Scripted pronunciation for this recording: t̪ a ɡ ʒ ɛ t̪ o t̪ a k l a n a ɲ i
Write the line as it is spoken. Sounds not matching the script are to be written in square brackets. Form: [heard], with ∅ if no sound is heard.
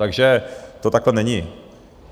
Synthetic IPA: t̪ a ɡ ʒ ɛ t̪ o t̪ a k l [ɛ] n [ɛ] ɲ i